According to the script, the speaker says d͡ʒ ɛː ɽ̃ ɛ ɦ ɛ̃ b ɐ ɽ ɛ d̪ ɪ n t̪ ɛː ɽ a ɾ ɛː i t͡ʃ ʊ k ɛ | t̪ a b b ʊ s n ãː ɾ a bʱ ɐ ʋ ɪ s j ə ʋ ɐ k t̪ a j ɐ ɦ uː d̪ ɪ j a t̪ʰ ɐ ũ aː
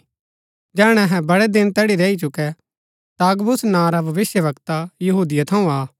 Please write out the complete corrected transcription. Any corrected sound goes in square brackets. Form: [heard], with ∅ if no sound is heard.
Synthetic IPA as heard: d͡ʒ ɛː ɽ̃ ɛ ɦ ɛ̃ b ɐ ɽ ɛ d̪ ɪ n t̪ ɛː ɽ [i] ɾ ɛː i t͡ʃ ʊ k ɛ | t̪ a [ɡ] b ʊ s n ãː ɾ a bʱ ɐ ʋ ɪ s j ə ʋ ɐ k t̪ a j ɐ ɦ uː d̪ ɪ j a t̪ʰ ɐ ũ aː